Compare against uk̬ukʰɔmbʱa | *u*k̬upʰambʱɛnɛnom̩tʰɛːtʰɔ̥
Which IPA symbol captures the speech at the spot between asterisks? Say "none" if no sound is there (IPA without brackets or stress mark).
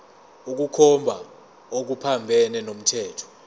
o